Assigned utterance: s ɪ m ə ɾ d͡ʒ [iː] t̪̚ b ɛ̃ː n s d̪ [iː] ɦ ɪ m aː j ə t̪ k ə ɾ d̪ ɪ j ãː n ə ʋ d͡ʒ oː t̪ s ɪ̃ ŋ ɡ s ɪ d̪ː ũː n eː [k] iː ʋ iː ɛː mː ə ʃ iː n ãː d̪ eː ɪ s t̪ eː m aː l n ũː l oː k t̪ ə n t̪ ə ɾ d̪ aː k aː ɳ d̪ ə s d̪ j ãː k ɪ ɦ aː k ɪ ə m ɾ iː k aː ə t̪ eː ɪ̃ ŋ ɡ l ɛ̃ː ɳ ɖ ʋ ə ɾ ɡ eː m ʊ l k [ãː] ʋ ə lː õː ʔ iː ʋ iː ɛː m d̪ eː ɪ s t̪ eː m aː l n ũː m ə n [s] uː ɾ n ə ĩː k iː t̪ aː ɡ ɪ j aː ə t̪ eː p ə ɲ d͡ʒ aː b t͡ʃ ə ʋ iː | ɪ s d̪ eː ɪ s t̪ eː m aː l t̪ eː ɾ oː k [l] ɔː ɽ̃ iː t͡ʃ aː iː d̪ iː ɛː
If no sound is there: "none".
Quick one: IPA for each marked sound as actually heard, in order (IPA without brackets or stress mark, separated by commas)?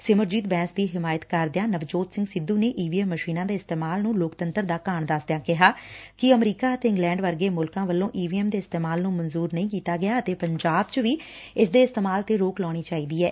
iː, iː, ʔ, ãː, z, l